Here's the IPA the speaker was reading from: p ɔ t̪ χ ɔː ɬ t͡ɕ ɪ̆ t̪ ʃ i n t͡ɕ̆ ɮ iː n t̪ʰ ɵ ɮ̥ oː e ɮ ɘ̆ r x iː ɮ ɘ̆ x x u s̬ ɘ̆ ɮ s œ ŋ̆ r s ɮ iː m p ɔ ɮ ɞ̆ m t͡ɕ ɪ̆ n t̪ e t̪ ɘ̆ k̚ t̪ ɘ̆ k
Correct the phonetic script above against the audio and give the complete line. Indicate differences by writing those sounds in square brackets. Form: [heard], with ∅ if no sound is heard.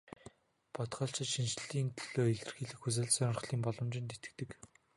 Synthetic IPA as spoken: p ɔ t̪ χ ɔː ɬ t͡ɕ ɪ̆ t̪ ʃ i n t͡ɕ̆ ɮ iː n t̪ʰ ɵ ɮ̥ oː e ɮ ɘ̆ r x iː ɮ ɘ̆ x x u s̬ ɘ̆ ɮ s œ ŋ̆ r [χ] ɮ iː m p ɔ ɮ ɞ̆ m t͡ɕ ɪ̆ n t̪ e t̪ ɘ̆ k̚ t̪ ɘ̆ k